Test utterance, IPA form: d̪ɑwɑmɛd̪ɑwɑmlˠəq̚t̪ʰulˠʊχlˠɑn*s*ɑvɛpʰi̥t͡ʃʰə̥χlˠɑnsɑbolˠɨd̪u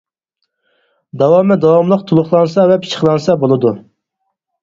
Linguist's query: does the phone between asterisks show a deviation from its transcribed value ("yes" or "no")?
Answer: no